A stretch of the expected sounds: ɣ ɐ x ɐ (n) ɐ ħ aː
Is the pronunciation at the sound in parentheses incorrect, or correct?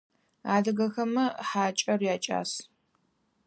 incorrect